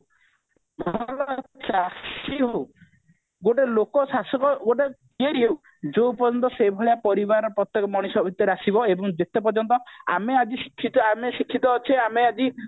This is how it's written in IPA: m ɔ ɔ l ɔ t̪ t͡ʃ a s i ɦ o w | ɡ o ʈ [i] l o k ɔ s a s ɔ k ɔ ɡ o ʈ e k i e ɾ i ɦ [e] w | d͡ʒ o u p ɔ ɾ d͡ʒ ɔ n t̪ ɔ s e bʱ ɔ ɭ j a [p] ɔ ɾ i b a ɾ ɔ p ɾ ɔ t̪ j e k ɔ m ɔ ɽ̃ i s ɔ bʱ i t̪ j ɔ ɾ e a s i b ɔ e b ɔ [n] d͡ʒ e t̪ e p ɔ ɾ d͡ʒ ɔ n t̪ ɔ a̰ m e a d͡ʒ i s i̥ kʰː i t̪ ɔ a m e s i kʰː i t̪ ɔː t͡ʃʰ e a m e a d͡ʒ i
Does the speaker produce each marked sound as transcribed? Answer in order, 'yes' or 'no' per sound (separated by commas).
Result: no, yes, yes, no